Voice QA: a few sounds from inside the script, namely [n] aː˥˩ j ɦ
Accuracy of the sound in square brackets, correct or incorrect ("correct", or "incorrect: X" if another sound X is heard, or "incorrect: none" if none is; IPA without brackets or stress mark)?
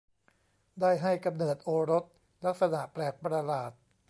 incorrect: d